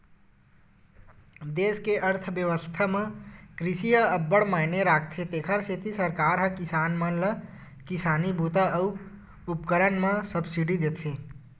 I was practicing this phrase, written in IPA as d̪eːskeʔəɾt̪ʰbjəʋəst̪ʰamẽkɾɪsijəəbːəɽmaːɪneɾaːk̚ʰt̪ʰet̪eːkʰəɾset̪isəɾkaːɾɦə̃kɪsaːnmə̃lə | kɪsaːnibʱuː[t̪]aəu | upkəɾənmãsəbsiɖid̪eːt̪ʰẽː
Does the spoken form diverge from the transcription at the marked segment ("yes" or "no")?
no